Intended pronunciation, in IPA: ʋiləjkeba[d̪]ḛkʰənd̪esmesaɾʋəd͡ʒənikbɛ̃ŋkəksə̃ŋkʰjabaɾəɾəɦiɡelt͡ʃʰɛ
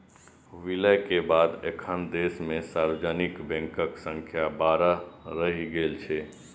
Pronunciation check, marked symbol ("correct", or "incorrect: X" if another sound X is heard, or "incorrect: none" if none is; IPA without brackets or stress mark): correct